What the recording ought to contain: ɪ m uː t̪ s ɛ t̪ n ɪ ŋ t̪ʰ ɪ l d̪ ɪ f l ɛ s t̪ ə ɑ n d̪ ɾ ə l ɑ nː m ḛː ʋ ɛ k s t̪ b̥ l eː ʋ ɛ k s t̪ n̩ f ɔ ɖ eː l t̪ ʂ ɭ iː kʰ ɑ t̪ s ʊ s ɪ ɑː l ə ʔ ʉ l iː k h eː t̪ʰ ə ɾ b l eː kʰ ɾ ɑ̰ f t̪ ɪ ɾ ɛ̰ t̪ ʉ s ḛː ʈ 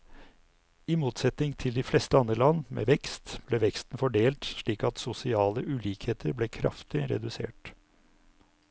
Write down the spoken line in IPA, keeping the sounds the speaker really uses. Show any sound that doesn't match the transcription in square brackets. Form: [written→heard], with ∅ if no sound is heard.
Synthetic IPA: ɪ m uː t̪ s ɛ t̪ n ɪ ŋ t̪ʰ ɪ l d̪ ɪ f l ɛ s t̪ ə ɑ n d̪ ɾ ə l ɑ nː m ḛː ʋ ɛ k s t̪ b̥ l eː ʋ ɛ k s t̪ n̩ f ɔ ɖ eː l t̪ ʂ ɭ iː [kʰ→k] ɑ t̪ s ʊ s ɪ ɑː l ə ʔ ʉ l iː k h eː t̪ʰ ə ɾ b l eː kʰ ɾ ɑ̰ f t̪ ɪ ɾ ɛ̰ [t̪→d̪] ʉ s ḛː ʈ